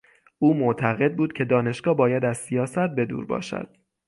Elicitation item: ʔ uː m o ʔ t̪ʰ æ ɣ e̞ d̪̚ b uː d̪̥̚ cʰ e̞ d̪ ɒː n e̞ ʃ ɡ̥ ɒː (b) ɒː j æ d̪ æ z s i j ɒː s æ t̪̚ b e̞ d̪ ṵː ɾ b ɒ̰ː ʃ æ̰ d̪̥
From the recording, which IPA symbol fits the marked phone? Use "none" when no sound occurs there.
b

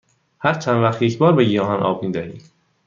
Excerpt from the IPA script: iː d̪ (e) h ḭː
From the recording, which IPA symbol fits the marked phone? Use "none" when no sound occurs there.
æ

